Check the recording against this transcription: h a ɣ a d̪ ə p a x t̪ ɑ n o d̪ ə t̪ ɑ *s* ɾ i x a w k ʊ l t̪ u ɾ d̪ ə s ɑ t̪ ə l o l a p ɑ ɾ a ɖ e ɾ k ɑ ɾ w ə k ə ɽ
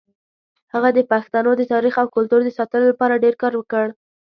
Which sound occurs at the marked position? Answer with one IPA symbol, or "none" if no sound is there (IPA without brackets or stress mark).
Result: none